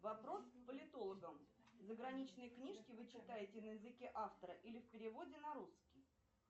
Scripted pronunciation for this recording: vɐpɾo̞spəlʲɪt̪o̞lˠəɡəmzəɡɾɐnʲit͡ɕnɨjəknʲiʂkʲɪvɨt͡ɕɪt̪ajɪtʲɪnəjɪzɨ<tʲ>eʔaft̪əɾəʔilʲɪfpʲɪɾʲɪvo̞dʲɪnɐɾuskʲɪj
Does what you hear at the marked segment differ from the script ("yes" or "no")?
yes